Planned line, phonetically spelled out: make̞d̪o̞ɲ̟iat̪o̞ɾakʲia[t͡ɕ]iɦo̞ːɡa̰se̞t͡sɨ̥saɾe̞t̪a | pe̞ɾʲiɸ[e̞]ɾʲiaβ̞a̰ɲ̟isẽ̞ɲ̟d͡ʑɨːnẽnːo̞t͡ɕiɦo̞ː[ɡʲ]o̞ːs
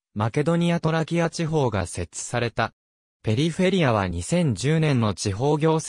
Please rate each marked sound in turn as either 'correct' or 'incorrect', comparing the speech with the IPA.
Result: correct, correct, correct

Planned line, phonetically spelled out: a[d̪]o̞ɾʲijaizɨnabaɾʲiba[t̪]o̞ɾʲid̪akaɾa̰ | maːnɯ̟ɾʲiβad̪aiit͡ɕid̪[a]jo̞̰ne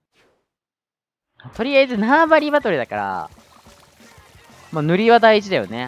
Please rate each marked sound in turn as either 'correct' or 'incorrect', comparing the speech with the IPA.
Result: incorrect: t̪, correct, correct

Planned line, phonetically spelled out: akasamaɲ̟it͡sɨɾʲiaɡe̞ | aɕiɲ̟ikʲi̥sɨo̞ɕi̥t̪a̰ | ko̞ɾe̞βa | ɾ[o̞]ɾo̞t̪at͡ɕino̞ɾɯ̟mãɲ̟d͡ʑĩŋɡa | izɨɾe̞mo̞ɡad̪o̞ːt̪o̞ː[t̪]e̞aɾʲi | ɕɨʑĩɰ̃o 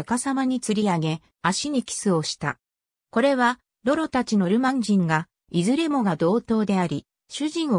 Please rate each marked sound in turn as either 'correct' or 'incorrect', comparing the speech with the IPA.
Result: correct, incorrect: d̪

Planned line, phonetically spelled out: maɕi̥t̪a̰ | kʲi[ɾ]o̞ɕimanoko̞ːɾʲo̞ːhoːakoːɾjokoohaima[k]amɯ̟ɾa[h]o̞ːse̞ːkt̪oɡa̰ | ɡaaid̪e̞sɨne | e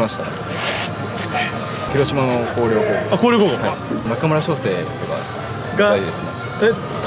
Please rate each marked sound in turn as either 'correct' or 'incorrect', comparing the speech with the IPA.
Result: correct, correct, incorrect: ɕ

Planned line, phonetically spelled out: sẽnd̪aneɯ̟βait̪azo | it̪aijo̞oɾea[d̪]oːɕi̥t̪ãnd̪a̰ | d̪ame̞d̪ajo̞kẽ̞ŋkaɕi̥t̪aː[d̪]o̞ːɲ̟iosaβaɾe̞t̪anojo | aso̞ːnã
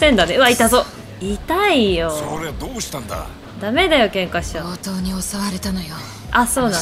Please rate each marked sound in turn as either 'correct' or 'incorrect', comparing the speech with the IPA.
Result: correct, incorrect: t̪

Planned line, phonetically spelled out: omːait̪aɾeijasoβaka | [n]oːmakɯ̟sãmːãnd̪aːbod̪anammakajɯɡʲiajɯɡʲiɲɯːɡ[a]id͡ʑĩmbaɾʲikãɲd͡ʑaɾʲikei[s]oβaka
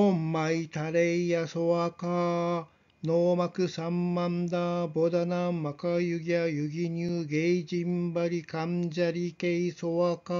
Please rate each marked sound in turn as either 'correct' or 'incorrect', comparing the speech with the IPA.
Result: correct, incorrect: e, correct

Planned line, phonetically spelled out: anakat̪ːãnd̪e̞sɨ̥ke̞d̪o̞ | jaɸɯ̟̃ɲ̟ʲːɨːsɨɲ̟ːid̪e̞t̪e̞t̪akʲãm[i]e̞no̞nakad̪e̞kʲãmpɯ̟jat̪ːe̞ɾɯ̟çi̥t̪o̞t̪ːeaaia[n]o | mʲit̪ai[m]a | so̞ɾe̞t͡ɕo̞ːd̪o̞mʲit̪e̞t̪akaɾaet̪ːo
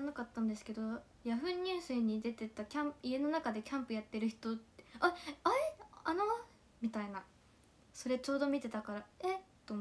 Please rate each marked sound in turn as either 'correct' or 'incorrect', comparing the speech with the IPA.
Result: correct, correct, incorrect: n

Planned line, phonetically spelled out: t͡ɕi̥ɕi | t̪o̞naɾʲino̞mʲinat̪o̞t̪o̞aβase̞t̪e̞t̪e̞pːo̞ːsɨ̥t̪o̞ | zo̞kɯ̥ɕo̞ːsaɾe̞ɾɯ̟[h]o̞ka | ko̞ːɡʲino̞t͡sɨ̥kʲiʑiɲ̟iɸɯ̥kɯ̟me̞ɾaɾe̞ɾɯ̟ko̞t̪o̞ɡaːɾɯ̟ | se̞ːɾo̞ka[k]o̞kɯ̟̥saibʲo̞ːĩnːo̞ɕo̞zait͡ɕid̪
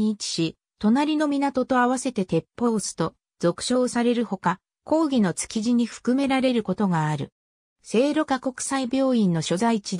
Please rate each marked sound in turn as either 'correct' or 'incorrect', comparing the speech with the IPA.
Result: correct, correct

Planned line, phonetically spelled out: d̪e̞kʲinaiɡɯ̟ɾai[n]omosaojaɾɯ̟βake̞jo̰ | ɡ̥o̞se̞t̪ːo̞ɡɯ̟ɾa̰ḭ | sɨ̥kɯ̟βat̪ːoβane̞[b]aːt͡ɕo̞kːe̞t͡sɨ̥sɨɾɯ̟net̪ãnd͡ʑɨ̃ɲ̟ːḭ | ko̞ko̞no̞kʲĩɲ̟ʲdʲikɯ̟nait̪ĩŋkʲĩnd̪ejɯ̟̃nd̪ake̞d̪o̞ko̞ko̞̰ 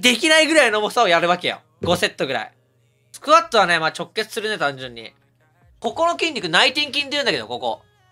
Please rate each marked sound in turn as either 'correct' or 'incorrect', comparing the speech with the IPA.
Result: correct, incorrect: m

